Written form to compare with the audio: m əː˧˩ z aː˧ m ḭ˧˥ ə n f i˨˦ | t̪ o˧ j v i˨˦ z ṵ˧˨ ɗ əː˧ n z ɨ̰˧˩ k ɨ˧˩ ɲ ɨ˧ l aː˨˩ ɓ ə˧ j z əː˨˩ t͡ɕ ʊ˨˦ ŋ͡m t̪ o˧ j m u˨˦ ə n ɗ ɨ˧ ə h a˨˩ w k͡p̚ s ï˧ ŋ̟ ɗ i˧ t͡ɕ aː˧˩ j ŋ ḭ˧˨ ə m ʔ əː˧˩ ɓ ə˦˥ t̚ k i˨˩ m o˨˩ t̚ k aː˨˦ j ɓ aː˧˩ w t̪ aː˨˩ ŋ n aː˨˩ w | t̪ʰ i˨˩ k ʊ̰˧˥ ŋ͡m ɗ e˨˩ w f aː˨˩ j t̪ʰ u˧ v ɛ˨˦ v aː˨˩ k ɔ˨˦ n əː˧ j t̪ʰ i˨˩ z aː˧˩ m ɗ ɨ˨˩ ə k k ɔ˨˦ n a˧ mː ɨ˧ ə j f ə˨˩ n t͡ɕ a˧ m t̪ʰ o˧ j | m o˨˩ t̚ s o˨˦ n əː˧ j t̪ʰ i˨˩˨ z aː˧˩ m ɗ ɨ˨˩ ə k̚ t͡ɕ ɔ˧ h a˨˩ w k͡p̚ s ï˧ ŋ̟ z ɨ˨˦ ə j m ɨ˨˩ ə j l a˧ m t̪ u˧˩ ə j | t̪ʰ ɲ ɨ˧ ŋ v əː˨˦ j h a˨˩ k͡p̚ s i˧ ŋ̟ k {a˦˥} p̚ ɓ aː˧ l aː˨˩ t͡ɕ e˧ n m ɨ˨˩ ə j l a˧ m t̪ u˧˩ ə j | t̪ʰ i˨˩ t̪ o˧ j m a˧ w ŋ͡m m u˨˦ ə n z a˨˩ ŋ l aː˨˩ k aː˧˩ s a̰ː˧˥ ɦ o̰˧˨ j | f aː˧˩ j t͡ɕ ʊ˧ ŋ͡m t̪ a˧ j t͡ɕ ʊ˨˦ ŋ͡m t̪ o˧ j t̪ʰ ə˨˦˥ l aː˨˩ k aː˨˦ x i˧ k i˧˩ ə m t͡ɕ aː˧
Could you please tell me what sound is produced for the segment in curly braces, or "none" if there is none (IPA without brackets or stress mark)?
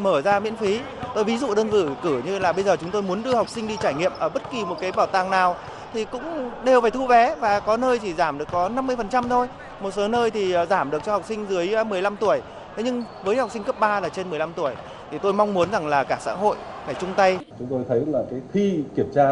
ə˦˥